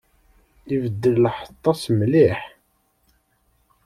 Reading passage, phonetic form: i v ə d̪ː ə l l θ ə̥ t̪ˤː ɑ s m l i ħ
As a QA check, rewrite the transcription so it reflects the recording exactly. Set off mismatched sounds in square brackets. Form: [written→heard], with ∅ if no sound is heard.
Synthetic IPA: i v ə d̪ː ə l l [θ→ħ] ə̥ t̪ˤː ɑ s m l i ħ